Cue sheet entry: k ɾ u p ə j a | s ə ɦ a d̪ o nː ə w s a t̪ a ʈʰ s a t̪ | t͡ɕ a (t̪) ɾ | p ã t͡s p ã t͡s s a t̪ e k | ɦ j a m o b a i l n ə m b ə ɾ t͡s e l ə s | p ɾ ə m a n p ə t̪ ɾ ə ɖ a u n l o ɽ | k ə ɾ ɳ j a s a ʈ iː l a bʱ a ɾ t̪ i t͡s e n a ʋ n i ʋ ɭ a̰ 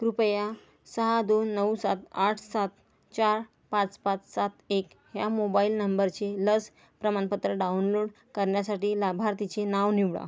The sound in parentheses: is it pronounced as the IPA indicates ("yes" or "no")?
no